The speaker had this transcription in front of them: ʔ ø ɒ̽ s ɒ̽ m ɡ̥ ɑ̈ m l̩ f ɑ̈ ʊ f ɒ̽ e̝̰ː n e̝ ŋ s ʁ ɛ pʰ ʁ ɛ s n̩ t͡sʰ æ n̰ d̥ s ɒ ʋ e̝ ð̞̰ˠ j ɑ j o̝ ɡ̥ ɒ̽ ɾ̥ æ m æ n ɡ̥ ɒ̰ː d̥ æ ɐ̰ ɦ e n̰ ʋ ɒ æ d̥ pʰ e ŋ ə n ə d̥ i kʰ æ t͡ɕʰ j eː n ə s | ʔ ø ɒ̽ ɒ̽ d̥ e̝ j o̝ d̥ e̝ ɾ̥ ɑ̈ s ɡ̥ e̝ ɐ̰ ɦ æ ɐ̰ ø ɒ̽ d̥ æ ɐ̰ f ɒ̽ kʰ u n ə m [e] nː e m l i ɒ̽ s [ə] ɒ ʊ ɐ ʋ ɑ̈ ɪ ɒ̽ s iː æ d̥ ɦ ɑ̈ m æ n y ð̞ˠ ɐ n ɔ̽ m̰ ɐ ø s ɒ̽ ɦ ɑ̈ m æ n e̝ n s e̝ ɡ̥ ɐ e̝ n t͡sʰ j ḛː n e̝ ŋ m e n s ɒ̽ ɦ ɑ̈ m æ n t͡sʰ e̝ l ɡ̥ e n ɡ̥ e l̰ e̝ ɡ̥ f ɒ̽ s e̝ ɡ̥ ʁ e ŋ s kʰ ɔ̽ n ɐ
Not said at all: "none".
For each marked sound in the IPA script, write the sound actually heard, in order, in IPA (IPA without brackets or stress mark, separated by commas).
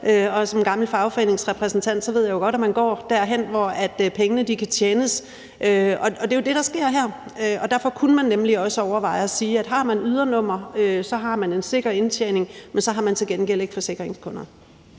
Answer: æ, ə